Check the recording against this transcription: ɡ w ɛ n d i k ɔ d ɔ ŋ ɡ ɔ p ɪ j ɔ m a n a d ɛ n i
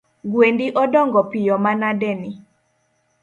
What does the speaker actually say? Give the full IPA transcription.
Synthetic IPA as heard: ɡ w e n d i ʔ ɔ d ɔ ŋ ɡ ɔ p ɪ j ɔ m a n a d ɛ n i